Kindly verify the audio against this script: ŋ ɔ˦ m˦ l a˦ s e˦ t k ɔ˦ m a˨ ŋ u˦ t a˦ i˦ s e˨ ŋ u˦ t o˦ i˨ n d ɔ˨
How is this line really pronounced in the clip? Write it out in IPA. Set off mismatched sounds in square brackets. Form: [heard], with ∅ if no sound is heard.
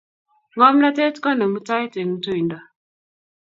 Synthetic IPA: ŋ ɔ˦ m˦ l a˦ [t] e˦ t k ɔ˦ [n] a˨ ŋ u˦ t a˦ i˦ [t] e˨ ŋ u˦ t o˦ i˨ n d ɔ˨